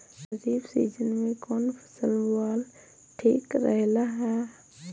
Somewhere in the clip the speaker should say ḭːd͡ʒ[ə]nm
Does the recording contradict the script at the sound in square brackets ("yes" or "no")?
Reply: no